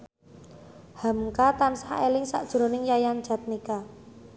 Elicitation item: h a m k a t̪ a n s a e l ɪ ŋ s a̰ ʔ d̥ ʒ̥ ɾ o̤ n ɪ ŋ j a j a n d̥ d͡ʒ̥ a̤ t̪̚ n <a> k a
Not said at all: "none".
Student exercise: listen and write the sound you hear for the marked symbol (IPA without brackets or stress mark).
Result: i